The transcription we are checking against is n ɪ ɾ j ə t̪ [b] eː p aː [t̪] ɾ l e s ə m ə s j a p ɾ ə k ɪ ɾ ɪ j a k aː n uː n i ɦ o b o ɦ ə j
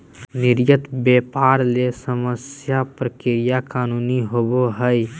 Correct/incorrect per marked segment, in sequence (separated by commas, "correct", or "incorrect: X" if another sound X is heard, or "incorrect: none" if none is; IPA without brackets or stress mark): correct, incorrect: none